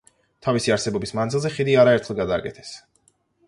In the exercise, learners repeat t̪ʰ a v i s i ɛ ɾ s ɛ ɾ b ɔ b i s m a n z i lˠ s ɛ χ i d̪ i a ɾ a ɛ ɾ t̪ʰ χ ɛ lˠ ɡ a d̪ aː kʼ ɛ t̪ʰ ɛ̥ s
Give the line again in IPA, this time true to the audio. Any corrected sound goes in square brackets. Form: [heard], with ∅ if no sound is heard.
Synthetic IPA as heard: t̪ʰ a v i s i [a] ɾ s ɛ [∅] b ɔ b i s m a n z i lˠ [z] ɛ χ i d̪ i a ɾ a ɛ ɾ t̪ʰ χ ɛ lˠ ɡ a d̪ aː kʼ ɛ t̪ʰ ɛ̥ s